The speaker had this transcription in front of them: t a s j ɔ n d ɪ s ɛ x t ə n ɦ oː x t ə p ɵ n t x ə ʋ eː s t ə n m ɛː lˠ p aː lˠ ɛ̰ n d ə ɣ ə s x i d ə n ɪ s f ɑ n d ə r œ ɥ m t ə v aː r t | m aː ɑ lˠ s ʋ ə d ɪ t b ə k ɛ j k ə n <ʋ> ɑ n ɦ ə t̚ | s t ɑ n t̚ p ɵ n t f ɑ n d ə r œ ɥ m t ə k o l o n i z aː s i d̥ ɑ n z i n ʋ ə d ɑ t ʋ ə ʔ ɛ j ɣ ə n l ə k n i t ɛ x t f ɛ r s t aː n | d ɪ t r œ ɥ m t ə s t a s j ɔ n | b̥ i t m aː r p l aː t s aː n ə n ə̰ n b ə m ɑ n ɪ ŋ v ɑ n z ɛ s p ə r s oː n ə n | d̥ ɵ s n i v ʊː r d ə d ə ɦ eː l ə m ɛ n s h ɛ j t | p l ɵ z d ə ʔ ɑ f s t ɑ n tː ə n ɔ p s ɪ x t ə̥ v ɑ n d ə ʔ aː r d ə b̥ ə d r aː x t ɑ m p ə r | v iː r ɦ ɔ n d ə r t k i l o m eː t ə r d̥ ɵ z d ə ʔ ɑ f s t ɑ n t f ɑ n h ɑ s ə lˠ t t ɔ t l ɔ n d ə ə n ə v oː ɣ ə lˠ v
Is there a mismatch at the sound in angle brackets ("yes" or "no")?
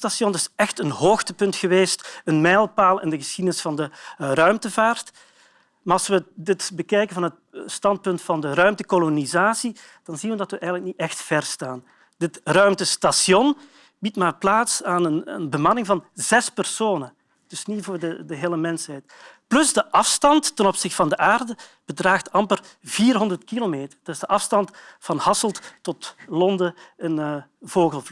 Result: yes